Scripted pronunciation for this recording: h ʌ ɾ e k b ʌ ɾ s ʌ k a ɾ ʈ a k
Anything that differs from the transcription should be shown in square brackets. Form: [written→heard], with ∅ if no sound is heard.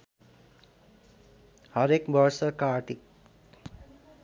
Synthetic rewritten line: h ʌ ɾ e k b ʌ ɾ s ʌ k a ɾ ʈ [a→i] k